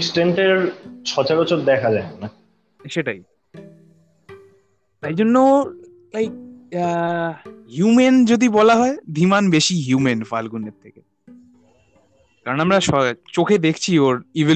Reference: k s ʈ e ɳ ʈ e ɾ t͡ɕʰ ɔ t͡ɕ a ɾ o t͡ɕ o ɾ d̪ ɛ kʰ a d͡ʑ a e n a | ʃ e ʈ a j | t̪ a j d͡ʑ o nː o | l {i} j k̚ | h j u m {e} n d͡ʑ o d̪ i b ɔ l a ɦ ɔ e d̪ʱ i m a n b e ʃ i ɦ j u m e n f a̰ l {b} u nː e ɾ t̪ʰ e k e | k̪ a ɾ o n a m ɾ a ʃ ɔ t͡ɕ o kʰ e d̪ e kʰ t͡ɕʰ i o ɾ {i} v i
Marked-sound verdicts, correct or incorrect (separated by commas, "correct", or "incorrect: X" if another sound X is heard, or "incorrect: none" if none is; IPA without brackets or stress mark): incorrect: a, correct, incorrect: ɡ, correct